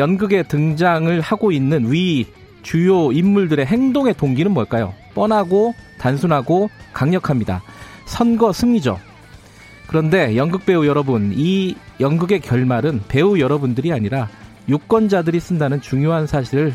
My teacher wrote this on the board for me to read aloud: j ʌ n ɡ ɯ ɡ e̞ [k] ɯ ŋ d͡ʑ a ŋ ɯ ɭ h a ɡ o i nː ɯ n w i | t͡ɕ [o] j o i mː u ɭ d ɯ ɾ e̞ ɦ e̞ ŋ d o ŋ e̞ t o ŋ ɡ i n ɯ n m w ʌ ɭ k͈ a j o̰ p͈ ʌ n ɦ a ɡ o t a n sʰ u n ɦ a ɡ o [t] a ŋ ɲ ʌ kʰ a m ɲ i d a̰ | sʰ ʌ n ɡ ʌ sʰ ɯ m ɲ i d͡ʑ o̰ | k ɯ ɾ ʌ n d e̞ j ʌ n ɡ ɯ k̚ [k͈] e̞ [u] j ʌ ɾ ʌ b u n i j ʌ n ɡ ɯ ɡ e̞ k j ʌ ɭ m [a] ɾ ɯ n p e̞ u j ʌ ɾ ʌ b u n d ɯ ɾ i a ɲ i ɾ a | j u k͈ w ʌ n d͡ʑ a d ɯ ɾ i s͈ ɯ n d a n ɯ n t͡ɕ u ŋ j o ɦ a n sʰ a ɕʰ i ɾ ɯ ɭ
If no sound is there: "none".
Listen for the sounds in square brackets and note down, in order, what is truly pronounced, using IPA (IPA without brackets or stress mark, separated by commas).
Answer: t, u, k, p͈, u, a